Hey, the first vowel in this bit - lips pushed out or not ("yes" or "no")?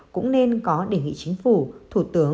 yes